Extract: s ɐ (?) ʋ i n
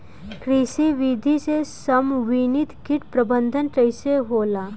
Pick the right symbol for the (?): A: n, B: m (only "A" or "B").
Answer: B